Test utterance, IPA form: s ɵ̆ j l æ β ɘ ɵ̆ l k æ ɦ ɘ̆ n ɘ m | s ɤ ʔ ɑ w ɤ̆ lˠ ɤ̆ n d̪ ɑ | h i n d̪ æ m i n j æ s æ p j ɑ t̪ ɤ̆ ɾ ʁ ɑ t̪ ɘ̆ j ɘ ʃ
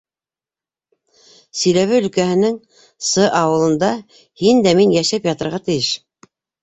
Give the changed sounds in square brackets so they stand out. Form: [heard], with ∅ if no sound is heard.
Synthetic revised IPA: s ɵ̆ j l æ β ɘ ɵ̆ l k æ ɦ ɘ̆ n ɘ [ŋ] | s ɤ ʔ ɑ w ɤ̆ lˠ ɤ̆ n d̪ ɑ | h i n d̪ æ m i n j æ [ʃ] æ p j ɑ t̪ ɤ̆ ɾ ʁ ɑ t̪ ɘ̆ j ɘ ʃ